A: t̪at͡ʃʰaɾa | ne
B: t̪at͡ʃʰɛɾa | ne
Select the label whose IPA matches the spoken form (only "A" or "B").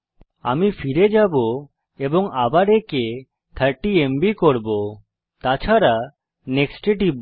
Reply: A